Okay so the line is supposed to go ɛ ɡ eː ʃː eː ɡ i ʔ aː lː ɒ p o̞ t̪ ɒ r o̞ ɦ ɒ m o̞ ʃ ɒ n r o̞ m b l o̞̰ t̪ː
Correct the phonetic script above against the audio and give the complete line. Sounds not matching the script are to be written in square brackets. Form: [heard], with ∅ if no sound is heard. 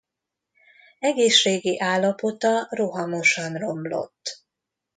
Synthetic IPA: ɛ ɡ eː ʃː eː ɡ i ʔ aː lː ɒ p o̞ t̪ ɒ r o̞ ɦ ɒ m o̞ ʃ ɒ n r o̞ m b l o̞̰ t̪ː